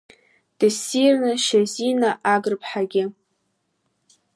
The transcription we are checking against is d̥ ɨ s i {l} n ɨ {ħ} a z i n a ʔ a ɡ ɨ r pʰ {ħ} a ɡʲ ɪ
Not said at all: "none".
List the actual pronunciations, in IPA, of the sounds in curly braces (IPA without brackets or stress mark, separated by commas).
r, ʃ, ħ